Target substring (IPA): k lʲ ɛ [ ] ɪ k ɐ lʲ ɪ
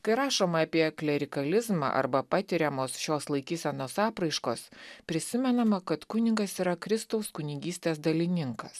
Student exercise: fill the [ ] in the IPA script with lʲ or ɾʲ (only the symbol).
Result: ɾʲ